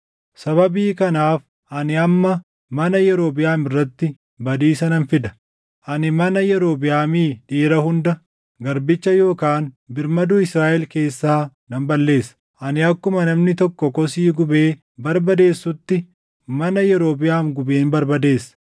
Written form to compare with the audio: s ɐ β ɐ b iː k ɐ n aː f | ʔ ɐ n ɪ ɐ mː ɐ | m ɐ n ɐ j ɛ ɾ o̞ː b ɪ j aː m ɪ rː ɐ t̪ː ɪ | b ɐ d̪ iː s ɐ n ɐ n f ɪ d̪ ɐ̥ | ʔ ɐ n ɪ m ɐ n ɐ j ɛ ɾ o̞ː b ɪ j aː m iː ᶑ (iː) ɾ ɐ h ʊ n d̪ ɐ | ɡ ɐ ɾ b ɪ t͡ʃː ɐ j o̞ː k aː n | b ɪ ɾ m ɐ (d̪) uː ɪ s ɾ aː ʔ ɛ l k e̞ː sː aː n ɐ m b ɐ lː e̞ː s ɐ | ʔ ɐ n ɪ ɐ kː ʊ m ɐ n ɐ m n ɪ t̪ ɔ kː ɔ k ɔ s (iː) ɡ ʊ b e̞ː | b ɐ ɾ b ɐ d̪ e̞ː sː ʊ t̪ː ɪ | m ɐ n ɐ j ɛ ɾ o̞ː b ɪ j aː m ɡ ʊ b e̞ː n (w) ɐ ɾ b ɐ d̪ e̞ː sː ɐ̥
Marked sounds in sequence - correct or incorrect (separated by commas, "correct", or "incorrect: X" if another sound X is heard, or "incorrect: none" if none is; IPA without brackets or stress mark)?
correct, correct, correct, incorrect: b